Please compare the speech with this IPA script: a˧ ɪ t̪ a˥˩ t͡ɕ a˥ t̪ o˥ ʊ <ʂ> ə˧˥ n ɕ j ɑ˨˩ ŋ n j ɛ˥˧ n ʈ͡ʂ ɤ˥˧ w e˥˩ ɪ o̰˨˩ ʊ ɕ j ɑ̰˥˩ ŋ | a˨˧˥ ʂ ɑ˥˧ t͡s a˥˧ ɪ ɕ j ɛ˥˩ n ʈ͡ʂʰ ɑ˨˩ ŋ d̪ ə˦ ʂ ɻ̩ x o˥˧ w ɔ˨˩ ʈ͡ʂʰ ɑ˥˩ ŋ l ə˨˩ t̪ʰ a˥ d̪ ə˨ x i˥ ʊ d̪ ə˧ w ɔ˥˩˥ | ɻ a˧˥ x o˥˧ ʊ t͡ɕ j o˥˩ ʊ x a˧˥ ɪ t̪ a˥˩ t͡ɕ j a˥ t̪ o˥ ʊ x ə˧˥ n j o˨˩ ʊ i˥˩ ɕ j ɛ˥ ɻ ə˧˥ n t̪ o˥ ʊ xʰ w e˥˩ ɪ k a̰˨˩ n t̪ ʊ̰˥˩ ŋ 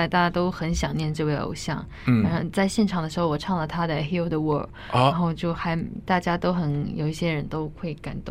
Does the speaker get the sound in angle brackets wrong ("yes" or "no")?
yes